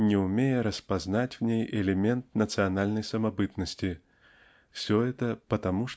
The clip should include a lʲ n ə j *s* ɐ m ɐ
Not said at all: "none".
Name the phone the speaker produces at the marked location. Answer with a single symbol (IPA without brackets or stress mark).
s